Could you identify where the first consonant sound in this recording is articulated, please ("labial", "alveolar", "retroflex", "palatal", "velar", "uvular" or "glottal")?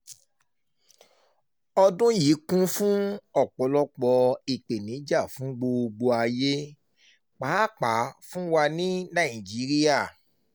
alveolar